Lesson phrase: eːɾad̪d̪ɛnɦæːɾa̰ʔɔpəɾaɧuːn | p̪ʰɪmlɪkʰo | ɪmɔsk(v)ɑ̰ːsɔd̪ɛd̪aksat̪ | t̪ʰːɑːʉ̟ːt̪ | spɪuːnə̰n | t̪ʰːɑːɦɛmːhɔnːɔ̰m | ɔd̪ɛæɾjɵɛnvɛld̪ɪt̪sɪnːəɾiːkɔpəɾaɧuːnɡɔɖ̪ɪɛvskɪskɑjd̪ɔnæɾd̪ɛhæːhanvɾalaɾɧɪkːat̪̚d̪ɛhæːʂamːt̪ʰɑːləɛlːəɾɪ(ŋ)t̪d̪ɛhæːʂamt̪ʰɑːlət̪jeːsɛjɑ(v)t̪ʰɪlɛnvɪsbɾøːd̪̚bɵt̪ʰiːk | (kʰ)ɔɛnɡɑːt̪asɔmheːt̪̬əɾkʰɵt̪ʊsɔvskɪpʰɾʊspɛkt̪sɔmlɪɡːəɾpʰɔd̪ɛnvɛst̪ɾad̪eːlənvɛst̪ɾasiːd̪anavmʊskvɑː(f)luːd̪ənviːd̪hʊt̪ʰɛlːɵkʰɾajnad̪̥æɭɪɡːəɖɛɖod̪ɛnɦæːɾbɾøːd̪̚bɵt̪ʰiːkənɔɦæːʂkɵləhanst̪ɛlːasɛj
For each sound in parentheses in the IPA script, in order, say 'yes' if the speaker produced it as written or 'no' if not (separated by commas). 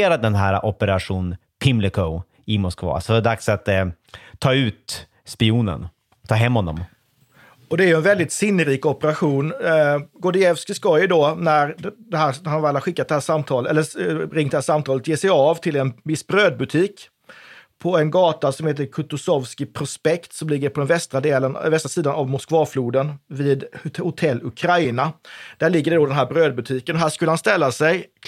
yes, yes, yes, no, yes